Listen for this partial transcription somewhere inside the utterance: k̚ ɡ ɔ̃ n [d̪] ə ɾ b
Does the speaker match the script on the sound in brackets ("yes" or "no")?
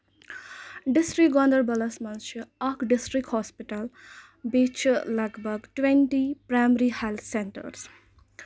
yes